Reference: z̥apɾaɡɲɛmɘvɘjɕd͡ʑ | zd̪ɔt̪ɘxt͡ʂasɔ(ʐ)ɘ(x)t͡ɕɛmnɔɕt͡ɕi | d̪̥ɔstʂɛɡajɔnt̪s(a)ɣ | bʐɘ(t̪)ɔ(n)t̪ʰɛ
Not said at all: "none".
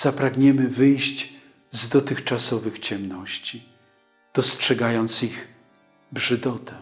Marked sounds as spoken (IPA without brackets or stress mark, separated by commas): v, x, i, d̪, none